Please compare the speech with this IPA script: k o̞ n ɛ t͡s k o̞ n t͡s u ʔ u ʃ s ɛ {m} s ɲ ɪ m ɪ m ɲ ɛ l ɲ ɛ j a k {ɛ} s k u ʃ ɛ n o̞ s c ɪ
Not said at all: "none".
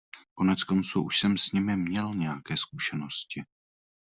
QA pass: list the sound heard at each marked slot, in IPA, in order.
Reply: m, ɛː

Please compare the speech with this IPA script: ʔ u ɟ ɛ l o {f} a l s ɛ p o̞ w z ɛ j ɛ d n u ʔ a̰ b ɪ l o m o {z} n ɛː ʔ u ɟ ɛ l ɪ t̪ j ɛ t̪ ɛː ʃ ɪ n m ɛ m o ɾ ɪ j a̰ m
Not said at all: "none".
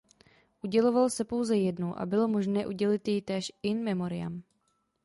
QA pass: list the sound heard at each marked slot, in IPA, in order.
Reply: v, ʒ

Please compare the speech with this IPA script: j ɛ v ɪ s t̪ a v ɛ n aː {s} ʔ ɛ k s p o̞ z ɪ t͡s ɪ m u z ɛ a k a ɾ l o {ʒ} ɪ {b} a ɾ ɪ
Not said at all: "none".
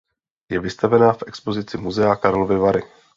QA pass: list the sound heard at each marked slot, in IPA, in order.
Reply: f, v, v

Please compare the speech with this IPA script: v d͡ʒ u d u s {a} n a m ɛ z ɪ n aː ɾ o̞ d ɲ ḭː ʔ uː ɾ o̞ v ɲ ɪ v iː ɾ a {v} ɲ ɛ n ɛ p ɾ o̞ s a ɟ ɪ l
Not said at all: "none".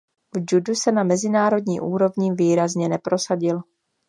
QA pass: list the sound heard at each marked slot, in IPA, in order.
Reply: ɛ, z

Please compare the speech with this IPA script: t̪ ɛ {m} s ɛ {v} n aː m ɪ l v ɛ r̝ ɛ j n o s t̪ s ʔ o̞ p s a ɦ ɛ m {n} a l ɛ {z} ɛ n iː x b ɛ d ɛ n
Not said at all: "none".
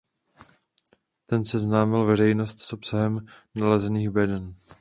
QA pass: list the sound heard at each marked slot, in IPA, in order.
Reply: n, z, n, z

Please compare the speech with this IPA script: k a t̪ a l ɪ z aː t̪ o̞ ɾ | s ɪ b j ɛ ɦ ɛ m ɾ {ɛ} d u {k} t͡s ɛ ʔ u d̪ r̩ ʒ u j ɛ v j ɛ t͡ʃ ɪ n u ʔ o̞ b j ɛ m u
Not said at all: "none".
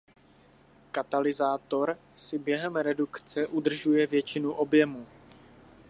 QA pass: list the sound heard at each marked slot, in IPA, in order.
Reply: ɛ, k

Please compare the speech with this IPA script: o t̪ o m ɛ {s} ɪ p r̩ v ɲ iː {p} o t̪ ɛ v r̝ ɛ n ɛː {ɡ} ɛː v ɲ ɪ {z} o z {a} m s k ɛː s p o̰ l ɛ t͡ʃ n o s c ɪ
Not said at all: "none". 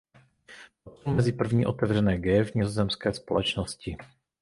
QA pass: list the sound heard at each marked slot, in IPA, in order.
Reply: z, ʔ, ɡ, z, ɛ

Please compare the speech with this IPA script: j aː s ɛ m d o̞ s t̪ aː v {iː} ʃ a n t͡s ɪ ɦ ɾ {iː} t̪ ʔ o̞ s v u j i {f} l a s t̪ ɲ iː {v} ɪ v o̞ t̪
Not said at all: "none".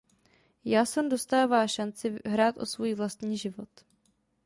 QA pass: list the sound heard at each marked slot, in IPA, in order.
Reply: aː, aː, v, ʒ

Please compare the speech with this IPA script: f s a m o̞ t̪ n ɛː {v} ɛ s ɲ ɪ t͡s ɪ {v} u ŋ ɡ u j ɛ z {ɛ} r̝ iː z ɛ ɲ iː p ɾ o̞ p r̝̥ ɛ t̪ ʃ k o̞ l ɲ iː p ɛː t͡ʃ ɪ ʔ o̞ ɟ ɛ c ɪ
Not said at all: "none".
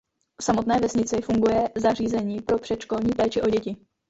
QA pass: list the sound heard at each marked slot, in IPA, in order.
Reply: v, f, a

